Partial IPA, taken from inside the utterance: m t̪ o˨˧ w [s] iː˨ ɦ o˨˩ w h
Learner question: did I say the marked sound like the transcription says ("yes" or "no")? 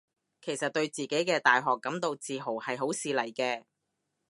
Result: no